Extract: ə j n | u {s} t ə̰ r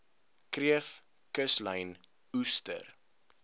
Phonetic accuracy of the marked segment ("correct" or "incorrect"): correct